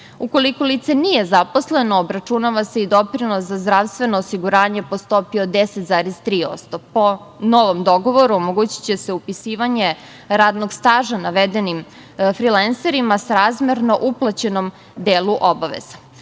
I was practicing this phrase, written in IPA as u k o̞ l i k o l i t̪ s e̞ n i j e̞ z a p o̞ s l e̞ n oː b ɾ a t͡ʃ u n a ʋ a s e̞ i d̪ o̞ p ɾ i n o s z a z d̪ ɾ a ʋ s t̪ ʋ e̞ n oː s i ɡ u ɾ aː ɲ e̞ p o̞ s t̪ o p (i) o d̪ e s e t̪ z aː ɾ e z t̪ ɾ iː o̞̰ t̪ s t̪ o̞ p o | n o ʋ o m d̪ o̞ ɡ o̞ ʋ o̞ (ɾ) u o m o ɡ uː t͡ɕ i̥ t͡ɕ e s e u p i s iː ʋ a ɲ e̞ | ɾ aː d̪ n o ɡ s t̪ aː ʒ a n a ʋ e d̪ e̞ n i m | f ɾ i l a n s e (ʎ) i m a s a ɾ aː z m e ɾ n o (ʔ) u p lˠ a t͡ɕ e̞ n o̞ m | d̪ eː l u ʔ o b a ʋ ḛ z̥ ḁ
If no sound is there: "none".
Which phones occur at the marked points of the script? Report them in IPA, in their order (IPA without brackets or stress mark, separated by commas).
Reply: i, ɾ, ɾ, ʔ